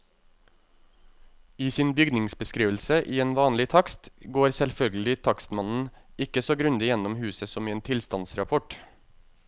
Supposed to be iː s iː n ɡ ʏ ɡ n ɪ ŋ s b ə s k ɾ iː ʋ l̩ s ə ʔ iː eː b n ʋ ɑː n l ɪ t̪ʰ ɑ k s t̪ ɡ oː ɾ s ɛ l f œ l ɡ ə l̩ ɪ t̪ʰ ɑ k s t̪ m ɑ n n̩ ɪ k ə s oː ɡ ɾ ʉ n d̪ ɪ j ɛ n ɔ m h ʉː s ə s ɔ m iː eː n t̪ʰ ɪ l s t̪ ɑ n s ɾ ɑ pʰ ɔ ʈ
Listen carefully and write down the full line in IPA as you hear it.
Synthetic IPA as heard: iː s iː n b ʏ ɡ n ɪ ŋ s b ə s k ɾ iː ʋ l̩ s ə ʔ iː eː n ʋ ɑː n l ɪ t̪ʰ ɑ k s t̪ ɡ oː ɾ s ɛ l f œ l ɡ ə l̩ ɪ t̪ʰ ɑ k s t̪ m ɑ n n̩ ɪ k ə s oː ɡ ɾ ʉ n d̪ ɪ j ɛ n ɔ m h ʉː s ə s ɔ m iː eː n t̪ʰ ɪ l s t̪ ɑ n s ɾ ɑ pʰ ɔ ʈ